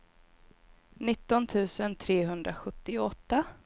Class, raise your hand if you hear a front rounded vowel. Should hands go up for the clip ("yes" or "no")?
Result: no